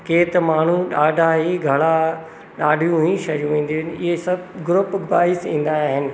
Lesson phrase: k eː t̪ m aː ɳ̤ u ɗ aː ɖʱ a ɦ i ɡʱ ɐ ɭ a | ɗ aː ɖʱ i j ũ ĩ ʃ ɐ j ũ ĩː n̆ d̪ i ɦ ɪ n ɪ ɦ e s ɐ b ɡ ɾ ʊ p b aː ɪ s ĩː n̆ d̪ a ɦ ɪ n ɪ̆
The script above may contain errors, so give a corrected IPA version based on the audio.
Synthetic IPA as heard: k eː t̪ m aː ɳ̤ u ɗ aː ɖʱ a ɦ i ɡʱ ɐ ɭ a | ɗ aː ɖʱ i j ũ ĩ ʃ ɐ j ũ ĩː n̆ d̪ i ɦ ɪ n ɪ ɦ e s ɐ b ɡ ɾ ʊ p b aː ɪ s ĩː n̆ d̪ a ɦ ɪ n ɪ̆